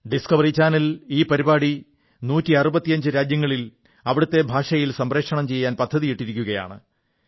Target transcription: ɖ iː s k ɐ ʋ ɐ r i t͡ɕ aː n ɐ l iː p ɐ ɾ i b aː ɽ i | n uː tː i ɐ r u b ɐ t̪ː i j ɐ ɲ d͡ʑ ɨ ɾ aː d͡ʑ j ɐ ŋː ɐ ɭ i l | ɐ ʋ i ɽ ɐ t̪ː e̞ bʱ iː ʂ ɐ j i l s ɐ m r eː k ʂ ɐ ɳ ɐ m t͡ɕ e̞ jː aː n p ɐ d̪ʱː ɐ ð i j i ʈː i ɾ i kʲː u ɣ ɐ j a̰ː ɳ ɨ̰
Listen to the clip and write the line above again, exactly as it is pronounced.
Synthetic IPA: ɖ i s k ɐ ʋ ɐ r i t͡ɕ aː n ɐ l iː p ɐ ɾ i b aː ɽ i | n uː tː i ɐ r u b ɐ t̪ː i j ɐ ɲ d͡ʑ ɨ ɾ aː d͡ʑ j ɐ ŋː ɐ ɭ i l | ɐ ʋ i ɽ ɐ t̪ː e̞ bʱ aː ʂ ɐ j i l s ɐ m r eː k ʂ ɐ ɳ ɐ m t͡ɕ e̞ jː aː n p ɐ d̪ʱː ɐ ð i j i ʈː i ɾ i kʲː u ɣ ɐ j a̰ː ɳ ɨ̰